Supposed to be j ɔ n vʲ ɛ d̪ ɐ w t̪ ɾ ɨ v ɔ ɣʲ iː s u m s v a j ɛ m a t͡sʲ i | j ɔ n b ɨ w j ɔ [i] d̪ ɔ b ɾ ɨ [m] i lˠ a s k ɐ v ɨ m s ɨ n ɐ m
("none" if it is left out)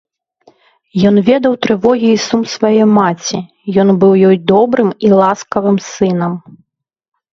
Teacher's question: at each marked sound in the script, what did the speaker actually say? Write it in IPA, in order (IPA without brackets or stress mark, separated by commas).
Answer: j, m